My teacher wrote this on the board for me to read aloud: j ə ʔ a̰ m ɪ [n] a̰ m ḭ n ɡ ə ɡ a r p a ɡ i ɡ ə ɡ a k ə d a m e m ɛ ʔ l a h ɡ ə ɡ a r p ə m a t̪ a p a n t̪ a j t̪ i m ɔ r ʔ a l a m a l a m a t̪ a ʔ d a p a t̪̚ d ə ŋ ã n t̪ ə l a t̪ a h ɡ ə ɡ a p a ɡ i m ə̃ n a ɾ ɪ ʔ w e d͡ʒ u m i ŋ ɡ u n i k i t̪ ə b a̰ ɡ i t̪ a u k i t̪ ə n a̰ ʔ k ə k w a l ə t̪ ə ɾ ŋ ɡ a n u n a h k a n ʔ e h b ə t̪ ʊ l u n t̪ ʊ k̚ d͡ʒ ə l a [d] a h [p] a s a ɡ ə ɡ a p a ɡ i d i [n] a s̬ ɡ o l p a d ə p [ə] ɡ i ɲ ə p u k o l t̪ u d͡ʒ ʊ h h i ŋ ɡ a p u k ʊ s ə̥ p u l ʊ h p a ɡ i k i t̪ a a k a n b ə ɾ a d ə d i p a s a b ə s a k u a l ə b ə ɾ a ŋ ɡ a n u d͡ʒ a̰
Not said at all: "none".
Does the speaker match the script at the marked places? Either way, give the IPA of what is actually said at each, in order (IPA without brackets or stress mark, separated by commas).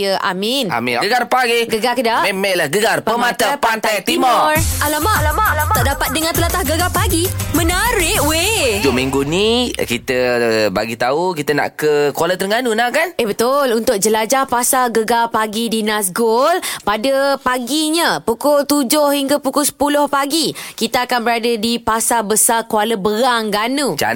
n, d͡ʒ, p, n, a